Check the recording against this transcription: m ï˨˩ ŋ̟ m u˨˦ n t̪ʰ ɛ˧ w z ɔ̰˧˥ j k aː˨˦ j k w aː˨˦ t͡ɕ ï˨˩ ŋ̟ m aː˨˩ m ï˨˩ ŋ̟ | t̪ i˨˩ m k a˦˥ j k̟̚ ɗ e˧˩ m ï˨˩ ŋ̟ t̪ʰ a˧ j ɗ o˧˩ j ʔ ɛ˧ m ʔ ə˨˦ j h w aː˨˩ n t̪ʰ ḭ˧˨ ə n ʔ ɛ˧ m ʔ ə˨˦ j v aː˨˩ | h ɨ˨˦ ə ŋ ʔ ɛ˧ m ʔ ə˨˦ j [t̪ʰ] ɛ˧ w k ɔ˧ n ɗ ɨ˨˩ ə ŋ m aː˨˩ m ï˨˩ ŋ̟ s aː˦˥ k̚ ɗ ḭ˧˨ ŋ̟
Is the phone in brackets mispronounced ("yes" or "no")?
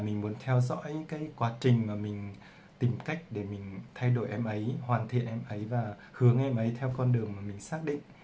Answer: no